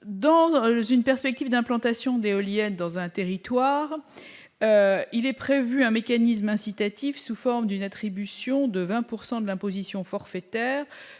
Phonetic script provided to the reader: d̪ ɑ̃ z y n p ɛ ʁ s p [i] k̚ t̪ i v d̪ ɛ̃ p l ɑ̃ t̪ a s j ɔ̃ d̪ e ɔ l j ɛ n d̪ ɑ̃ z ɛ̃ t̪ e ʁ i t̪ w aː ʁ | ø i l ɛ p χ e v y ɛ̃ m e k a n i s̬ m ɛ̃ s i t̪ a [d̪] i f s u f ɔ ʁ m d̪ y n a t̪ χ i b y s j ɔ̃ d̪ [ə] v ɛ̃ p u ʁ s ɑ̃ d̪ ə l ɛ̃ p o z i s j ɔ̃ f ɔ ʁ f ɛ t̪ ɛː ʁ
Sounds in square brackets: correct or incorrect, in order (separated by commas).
incorrect, incorrect, correct